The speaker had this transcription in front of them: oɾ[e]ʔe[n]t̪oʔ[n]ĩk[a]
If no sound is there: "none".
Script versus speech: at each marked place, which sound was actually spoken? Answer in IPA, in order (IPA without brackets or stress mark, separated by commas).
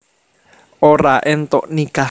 a, n, n, a